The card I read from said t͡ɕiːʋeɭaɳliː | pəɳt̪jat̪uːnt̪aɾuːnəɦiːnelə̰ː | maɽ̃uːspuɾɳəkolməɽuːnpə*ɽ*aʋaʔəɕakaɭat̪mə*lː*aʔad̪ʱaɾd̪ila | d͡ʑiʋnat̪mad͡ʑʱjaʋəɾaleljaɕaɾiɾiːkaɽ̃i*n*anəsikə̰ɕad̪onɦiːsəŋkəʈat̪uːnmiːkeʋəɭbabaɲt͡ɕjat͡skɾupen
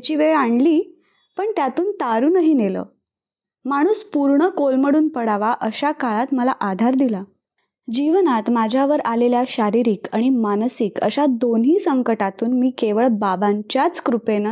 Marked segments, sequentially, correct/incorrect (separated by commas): correct, incorrect, incorrect